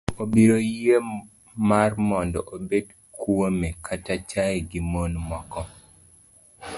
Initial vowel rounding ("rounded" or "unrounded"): rounded